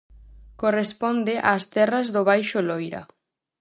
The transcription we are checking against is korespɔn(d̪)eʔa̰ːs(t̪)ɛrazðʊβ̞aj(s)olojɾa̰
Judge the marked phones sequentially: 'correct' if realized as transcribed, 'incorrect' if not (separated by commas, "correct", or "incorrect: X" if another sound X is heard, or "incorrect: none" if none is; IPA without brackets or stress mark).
correct, correct, incorrect: ʃ